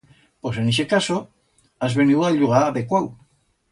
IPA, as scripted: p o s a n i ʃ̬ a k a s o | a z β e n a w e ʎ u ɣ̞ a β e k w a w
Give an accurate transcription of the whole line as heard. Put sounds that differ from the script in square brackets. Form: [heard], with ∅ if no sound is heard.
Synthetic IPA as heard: p o s [e] n i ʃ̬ [e] k a s o | a z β e n [i] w [a] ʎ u ɣ̞ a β e k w a w